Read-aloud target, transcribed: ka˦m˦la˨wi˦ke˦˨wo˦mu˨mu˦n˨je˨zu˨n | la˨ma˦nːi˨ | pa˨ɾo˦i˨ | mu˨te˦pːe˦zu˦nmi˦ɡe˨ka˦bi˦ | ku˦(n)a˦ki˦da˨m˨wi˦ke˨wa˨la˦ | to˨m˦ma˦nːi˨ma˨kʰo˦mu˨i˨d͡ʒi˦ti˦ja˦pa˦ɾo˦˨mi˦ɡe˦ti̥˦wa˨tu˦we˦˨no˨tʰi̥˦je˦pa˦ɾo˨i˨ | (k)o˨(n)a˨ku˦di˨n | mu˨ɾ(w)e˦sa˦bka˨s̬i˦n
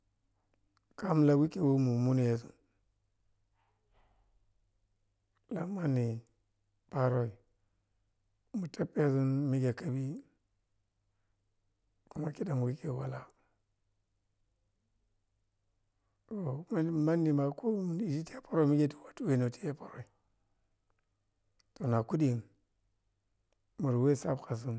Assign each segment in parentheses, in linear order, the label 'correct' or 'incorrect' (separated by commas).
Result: incorrect, incorrect, correct, correct